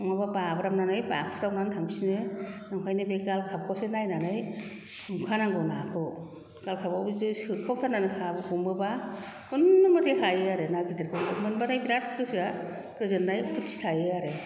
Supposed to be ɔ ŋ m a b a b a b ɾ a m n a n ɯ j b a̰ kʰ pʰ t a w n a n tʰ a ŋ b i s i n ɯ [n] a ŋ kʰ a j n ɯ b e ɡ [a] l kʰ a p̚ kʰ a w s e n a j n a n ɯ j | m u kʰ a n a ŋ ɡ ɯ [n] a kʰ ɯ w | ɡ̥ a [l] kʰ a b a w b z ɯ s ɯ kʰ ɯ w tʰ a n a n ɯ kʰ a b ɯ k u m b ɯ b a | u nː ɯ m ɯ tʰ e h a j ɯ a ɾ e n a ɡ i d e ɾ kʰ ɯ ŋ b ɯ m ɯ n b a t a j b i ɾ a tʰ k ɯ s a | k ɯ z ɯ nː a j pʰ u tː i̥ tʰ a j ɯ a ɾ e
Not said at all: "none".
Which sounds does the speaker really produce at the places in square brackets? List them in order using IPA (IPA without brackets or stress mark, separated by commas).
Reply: n, a, n, l